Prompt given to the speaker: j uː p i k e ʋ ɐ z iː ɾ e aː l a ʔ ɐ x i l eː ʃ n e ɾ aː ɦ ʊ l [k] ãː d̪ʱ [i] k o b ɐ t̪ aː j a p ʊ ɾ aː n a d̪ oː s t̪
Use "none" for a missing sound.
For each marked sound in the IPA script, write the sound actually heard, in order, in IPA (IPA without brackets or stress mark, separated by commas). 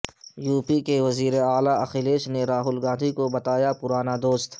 ɡ, i